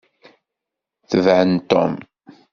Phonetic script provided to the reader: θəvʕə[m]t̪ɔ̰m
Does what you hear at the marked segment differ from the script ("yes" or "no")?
yes